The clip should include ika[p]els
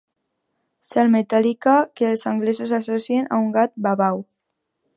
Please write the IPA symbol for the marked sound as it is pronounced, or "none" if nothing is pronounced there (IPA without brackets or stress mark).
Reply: k